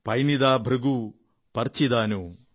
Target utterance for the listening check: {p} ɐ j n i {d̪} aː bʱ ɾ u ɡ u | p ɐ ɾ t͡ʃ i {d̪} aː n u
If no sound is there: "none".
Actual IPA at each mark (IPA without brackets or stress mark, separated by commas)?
p, d̪, d̪